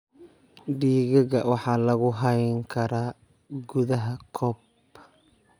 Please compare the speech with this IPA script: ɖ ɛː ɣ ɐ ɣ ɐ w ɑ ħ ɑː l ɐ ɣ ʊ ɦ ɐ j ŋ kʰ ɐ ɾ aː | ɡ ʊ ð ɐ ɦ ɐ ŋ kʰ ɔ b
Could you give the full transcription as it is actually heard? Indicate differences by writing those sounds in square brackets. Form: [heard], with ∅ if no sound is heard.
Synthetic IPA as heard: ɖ [iː] ɣ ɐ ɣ ɐ w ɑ ħ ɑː l ɐ ɣ ʊ ɦ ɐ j ŋ kʰ ɐ ɾ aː | ɡ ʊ ð ɐ ɦ ɐ [∅] kʰ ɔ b

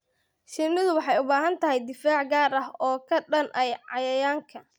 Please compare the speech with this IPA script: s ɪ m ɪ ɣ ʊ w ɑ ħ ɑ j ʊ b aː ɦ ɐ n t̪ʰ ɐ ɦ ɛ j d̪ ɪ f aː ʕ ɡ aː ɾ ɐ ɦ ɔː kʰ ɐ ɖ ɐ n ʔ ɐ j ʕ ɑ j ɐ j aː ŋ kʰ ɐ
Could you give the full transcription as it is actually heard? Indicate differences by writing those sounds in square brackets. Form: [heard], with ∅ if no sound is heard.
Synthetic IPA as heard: [ʃ] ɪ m ɪ [ð] ʊ w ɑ ħ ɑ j ʊ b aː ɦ ɐ n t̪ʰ ɐ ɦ ɛ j d̪ ɪ f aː ʕ ɡ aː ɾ ɐ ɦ ɔː kʰ ɐ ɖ ɐ n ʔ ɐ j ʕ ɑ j ɐ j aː ŋ kʰ ɐ

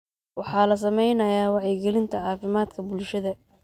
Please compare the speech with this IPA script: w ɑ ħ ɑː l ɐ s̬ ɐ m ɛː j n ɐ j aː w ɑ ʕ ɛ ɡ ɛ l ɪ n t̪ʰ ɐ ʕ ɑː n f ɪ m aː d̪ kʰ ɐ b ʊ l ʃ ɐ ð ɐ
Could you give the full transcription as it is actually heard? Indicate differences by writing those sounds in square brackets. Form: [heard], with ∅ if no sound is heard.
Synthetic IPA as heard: w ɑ ħ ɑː l ɐ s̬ ɐ m [ɛ] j n ɐ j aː w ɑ ʕ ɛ ɡ ɛ l ɪ n t̪ʰ ɐ ʕ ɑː [∅] f ɪ m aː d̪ kʰ ɐ b ʊ l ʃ ɐ ð ɐ

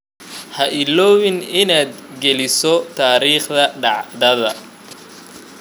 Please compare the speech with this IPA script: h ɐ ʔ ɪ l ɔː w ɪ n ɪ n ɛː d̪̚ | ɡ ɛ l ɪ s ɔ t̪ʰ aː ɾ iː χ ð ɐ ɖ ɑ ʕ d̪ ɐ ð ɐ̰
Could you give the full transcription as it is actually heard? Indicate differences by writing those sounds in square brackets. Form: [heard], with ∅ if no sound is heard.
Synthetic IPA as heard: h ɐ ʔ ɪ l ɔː w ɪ n ɪ n [aː] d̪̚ | ɡ ɛ l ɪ s ɔ t̪ʰ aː ɾ iː χ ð ɐ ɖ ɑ ʕ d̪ ɐ ð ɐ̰

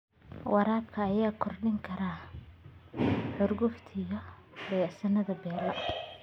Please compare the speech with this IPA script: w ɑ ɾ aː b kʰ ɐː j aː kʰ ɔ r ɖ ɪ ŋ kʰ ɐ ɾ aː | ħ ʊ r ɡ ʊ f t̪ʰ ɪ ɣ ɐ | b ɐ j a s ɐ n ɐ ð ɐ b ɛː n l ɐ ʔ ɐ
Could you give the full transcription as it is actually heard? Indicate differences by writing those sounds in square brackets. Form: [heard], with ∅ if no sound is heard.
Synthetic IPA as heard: w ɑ ɾ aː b kʰ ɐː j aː kʰ ɔ r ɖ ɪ ŋ kʰ ɐ ɾ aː | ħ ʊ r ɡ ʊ f t̪ʰ ɪ ɣ ɐ | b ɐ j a s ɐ n ɐ ð ɐ b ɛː [∅] l ɐ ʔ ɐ

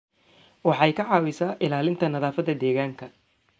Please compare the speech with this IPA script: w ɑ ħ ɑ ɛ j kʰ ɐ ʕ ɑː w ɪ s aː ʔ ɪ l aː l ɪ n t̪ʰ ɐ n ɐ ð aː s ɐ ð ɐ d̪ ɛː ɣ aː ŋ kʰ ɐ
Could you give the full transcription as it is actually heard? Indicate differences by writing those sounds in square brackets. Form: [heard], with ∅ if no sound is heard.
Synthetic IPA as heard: w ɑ ħ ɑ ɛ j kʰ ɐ ʕ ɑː w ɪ s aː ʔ ɪ l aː l ɪ n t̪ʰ ɐ n ɐ ð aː [f] ɐ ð ɐ d̪ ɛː ɣ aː ŋ kʰ ɐ

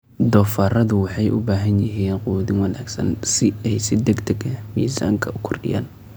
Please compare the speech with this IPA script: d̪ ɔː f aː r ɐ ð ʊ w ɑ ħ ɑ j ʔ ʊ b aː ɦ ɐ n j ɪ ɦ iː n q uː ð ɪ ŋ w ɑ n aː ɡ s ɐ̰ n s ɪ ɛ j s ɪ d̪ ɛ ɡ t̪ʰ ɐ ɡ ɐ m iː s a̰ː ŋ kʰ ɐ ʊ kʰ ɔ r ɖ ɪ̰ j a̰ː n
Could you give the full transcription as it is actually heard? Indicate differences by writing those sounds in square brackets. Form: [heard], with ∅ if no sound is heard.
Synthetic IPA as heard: d̪ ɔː f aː r ɐ ð ʊ w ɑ ħ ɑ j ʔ ʊ b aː ɦ ɐ n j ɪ ɦ iː n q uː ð ɪ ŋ w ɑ n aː ɡ s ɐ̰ n s ɪ ɛ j s ɪ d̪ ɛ ɡ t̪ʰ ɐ ɡ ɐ m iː s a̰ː ŋ kʰ ɐ ʊ kʰ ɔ r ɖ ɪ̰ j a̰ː n

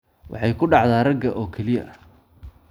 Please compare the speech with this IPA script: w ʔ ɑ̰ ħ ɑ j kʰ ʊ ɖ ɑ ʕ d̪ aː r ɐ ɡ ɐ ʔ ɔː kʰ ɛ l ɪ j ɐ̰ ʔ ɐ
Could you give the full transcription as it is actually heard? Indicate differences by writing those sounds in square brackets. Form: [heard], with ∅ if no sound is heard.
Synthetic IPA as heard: w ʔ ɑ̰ ħ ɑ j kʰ ʊ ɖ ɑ ʕ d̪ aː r ɐ ɡ ɐ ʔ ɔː kʰ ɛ l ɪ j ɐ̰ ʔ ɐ

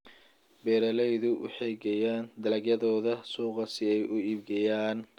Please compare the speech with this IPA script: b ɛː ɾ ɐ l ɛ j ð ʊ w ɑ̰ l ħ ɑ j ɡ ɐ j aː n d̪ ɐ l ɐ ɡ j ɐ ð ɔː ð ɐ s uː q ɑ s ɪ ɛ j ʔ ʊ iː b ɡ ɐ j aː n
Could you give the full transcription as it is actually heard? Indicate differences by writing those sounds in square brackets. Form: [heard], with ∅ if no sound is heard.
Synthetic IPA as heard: b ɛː ɾ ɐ l ɛ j ð ʊ w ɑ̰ [∅] ħ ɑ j ɡ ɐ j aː n d̪ ɐ l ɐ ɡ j ɐ ð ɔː ð ɐ s uː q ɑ s ɪ ɛ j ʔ ʊ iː b ɡ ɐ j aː n

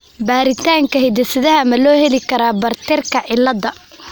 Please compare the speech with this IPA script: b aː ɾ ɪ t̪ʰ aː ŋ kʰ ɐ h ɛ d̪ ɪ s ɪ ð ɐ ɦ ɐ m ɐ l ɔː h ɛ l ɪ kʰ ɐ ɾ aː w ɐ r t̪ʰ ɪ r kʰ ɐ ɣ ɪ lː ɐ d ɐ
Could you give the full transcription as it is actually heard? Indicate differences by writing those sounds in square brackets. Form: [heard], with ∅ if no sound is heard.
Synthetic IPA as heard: b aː ɾ ɪ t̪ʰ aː ŋ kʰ ɐ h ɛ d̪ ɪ s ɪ ð ɐ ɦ ɐ m ɐ l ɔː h ɛ l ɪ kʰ ɐ ɾ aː [b] ɐ r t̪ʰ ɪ r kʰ ɐ [ʕ] ɪ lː ɐ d ɐ

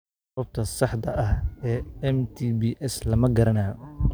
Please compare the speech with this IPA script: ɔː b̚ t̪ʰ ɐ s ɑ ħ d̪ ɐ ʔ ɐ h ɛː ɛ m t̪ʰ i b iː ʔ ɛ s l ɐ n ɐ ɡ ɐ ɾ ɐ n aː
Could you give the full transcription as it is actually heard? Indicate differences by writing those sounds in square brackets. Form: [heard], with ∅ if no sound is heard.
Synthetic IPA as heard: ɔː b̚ t̪ʰ ɐ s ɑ ħ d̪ ɐ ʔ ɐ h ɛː ɛ m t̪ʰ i b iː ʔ ɛ s l ɐ [m] ɐ ɡ ɐ ɾ ɐ n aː

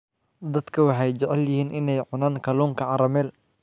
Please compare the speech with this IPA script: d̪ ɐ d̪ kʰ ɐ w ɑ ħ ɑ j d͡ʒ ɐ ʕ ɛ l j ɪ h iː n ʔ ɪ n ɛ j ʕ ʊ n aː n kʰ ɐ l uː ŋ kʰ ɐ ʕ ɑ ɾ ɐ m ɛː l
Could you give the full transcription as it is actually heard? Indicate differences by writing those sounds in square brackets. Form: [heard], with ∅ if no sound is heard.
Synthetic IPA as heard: d̪ ɐ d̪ kʰ ɐ w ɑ ħ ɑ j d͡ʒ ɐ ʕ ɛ l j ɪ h iː n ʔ ɪ n ɛ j ʕ ʊ n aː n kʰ ɐ l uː ŋ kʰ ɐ ʕ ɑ ɾ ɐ m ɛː l

